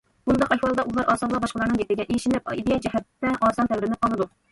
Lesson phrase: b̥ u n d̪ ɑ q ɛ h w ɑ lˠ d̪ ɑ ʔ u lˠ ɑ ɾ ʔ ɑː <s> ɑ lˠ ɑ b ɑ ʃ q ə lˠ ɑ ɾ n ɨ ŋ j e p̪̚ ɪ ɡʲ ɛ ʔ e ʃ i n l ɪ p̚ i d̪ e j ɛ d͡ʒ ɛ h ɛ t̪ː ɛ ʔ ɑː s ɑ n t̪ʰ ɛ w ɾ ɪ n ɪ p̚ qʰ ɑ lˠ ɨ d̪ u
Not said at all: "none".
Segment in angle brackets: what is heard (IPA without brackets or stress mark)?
s